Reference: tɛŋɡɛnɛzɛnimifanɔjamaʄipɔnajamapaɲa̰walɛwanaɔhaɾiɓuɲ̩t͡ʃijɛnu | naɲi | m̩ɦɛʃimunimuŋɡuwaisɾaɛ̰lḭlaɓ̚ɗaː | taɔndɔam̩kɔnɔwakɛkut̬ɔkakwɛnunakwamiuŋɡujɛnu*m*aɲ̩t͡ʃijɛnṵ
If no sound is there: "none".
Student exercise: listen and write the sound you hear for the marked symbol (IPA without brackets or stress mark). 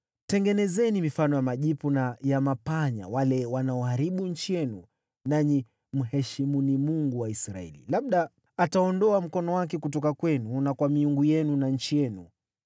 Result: n